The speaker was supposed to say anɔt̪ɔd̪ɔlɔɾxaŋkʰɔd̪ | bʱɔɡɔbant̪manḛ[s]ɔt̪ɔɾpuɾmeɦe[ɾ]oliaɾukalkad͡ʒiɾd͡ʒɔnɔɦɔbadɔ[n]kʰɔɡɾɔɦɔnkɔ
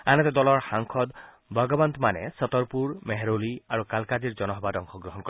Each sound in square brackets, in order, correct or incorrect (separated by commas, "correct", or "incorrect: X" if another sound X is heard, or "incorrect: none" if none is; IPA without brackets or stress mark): correct, correct, incorrect: ŋ